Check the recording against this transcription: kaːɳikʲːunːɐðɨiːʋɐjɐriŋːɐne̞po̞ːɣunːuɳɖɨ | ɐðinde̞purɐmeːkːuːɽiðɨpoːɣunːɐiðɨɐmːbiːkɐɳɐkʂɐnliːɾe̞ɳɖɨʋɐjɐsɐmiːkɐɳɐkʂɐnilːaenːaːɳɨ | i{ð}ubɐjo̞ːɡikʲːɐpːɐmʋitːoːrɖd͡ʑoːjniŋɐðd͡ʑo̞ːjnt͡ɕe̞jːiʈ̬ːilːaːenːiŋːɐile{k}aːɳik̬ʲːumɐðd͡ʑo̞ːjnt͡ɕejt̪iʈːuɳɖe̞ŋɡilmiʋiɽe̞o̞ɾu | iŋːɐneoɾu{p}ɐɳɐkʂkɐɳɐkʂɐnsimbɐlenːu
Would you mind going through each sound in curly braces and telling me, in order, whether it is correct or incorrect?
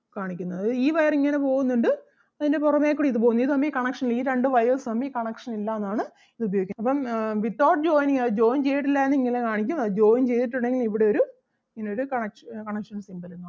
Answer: correct, correct, incorrect

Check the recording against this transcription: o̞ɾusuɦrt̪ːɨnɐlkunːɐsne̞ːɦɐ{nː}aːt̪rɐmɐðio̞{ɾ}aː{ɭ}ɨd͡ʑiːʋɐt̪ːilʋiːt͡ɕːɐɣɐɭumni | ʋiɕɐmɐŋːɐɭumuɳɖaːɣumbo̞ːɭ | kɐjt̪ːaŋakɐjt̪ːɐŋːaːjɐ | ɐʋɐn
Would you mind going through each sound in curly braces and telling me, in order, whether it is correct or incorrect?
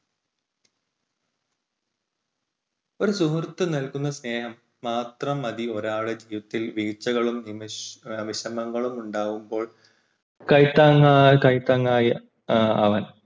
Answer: incorrect, correct, correct

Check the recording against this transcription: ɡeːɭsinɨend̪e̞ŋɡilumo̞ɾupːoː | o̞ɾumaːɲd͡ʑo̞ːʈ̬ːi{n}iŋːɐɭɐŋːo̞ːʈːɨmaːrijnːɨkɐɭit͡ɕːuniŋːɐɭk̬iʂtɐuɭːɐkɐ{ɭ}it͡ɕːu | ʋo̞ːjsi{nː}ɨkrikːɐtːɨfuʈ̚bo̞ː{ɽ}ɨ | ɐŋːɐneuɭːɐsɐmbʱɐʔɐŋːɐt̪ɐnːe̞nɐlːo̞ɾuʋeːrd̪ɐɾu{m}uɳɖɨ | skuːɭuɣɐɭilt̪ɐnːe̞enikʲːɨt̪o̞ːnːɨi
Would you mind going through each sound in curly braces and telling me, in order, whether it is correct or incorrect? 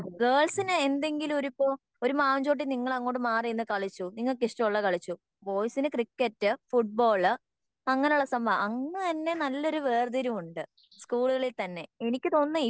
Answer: correct, correct, incorrect, incorrect, correct

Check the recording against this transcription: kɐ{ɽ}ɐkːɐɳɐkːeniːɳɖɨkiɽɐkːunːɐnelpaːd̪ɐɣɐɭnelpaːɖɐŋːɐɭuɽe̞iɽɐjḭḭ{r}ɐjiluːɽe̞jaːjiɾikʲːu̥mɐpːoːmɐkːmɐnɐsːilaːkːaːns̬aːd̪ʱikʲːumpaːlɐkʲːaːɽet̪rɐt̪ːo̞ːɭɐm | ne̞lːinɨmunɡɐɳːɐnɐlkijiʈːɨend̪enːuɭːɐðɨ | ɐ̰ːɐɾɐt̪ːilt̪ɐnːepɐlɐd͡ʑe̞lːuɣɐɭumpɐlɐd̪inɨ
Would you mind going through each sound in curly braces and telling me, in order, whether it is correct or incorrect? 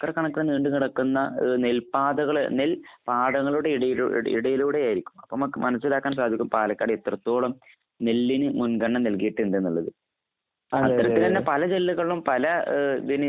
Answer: incorrect, incorrect

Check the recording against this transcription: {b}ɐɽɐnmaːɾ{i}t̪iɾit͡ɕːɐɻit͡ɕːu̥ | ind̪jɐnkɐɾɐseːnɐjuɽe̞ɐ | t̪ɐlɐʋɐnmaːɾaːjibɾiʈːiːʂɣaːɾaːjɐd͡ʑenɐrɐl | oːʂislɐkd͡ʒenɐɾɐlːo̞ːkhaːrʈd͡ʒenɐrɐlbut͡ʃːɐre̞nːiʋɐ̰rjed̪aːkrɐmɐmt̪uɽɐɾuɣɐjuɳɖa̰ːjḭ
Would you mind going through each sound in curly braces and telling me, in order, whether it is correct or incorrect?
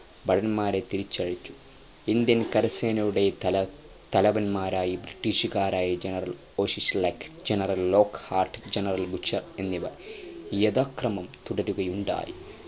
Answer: correct, incorrect

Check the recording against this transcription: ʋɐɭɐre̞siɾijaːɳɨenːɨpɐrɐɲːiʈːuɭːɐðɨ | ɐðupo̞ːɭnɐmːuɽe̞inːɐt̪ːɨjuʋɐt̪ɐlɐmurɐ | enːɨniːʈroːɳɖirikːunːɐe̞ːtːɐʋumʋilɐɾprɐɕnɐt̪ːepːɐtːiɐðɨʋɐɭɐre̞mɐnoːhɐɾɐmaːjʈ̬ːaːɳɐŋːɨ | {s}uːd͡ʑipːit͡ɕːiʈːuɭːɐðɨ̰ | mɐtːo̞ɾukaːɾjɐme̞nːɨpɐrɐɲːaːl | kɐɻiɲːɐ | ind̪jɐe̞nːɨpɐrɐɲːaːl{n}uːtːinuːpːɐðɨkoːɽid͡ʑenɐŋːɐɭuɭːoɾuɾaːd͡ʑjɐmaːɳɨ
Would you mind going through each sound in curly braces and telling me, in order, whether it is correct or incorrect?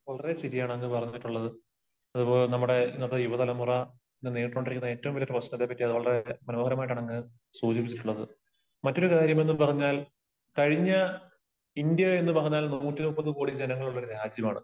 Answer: correct, correct

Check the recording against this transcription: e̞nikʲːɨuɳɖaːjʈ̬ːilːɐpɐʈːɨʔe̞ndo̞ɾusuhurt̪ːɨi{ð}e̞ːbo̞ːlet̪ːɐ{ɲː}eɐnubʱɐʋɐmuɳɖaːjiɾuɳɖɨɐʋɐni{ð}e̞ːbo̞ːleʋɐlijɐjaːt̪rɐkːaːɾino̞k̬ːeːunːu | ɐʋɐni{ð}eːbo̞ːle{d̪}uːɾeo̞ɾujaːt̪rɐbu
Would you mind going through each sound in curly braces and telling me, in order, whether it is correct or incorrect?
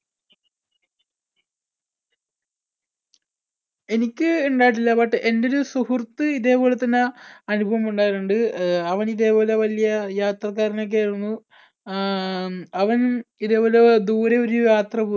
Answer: correct, incorrect, correct, correct, correct

